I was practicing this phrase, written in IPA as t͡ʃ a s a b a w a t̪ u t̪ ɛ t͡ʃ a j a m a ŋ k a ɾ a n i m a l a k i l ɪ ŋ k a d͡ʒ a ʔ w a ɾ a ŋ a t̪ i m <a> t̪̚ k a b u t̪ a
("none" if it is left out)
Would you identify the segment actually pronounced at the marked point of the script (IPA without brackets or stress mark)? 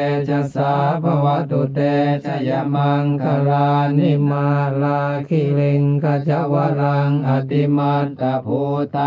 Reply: a